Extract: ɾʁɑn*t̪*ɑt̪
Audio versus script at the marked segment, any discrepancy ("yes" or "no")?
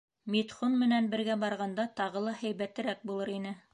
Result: yes